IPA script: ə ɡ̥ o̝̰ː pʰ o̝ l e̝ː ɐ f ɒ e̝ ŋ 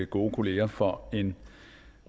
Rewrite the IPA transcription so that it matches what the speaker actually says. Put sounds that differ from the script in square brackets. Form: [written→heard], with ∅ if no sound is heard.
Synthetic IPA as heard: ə ɡ̥ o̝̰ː [pʰ→kʰ] o̝ l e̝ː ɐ f ɒ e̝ [ŋ→n]